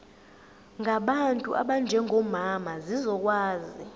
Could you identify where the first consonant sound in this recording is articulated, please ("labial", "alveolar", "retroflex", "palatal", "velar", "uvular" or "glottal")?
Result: velar